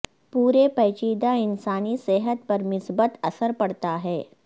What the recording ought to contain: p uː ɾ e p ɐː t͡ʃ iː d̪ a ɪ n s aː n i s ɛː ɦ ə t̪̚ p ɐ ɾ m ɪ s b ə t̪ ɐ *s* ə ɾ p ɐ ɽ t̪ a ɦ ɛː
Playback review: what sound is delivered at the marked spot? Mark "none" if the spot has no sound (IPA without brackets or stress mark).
s